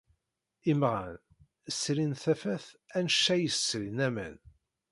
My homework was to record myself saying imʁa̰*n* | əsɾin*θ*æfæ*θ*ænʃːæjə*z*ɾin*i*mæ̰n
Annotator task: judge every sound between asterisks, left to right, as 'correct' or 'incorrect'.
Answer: correct, correct, correct, incorrect, incorrect

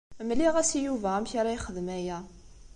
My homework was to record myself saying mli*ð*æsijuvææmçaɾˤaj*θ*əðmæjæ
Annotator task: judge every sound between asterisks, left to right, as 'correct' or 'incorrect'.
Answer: incorrect, incorrect

